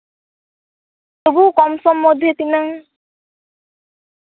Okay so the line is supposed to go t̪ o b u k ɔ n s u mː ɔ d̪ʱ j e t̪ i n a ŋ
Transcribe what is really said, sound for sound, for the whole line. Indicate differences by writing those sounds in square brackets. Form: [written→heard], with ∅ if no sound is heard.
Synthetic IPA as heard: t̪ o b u k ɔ [n→m] s [u→ɔ] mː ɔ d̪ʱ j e t̪ i n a ŋ